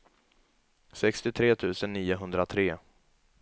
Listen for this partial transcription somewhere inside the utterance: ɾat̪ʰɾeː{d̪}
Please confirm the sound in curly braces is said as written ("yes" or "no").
no